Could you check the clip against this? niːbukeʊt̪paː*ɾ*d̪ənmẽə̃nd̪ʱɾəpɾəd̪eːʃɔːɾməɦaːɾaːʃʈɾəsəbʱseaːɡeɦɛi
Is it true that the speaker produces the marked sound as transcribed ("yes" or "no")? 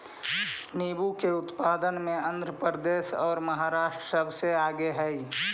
no